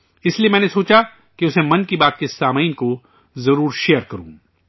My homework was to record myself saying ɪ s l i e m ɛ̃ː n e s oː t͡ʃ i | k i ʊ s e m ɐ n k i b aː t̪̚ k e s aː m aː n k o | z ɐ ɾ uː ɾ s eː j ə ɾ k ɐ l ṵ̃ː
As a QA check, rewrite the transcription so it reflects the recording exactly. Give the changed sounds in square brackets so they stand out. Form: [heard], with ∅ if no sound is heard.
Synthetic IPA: ɪ s l i e m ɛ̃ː n e s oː t͡ʃ [a] | k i ʊ s e m ɐ n k i b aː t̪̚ k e s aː m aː n k o | z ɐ ɾ uː ɾ [ʃ] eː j ə ɾ k ɐ [ɾ] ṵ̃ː